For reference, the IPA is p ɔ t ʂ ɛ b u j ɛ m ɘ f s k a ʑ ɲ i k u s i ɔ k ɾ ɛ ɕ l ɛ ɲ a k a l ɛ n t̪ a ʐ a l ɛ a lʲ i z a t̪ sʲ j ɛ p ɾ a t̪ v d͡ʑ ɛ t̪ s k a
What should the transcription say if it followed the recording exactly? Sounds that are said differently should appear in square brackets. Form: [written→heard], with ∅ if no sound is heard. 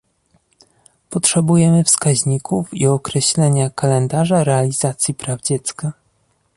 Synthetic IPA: p ɔ t ʂ ɛ b u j ɛ m ɘ f s k a ʑ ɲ i k u [s→f] i ɔ k ɾ ɛ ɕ l ɛ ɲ a k a l ɛ n [t̪→d̪] a ʐ a [l→ɾ] ɛ a lʲ i z a t̪ sʲ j [ɛ→i] p ɾ a [t̪→∅] v d͡ʑ ɛ t̪ s k a